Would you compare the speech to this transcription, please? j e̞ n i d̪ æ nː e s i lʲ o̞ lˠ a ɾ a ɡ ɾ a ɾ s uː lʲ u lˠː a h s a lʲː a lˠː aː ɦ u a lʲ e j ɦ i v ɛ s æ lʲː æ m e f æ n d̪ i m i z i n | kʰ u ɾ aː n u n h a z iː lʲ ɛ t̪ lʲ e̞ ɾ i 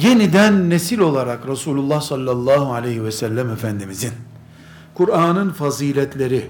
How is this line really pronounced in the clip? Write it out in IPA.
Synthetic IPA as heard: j e̞ n i d̪ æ nː e s i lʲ o̞ lˠ a ɾ a k ɾ a s uː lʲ u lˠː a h s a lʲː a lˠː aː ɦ u a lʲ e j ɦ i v ɛ s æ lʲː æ m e f æ n d̪ i m i z i n | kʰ u ɾ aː n ɯ n f a z iː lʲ ɛ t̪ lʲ e̞ ɾ i